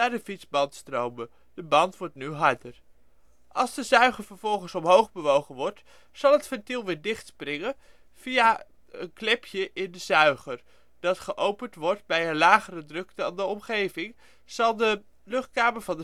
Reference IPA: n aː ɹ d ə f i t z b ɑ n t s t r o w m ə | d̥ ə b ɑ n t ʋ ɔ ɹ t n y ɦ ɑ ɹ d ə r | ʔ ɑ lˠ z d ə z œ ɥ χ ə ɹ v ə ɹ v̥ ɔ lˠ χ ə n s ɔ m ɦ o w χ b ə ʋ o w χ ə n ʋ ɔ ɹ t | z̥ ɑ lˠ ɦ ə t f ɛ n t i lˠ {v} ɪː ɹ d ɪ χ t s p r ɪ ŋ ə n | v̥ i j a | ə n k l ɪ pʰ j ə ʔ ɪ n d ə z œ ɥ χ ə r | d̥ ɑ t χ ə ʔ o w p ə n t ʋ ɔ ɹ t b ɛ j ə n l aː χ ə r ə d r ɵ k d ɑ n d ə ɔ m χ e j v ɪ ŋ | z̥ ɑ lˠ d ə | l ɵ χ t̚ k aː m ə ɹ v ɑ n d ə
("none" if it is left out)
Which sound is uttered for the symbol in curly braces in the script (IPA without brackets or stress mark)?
ʋ